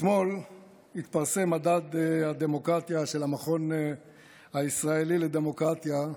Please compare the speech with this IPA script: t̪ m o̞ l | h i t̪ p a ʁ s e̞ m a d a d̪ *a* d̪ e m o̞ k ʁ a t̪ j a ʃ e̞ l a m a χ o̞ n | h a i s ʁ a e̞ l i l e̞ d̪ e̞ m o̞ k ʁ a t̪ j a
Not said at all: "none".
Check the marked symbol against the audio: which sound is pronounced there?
a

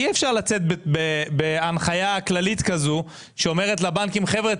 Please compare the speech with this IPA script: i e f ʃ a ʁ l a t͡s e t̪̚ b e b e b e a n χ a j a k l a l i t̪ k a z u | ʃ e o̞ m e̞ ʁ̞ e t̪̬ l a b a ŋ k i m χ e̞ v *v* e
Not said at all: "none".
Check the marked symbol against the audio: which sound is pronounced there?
ʁ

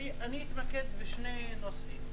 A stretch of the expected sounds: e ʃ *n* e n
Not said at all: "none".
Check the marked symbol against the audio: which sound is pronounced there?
n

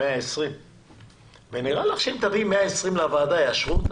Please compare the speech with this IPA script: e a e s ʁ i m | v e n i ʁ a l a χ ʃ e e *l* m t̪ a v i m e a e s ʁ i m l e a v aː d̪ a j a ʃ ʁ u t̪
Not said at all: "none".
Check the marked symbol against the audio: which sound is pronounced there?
none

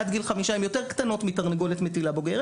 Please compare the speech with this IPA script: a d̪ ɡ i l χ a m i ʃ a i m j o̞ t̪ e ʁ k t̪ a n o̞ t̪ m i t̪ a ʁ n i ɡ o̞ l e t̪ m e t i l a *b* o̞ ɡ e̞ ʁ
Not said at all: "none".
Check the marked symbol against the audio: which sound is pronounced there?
b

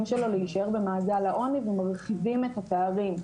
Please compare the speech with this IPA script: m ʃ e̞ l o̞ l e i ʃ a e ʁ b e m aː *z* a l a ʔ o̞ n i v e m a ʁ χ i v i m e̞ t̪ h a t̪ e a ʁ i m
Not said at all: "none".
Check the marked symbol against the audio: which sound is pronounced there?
z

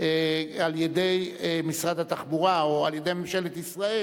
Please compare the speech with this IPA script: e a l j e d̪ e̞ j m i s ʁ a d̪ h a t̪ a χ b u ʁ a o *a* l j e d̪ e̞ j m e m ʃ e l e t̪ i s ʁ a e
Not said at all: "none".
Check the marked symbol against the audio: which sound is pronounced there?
a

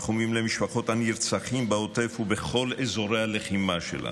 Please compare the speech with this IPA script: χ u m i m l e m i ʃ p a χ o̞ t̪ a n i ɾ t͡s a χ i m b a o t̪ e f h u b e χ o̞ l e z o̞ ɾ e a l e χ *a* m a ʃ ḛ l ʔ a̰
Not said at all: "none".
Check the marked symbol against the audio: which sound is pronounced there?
i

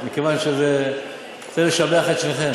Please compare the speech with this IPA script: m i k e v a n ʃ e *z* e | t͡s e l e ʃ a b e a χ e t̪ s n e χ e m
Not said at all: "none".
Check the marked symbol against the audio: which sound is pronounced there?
z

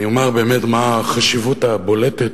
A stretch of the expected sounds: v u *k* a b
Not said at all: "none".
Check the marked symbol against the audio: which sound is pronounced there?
t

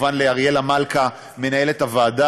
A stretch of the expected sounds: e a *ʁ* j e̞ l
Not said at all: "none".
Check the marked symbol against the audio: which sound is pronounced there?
ʁ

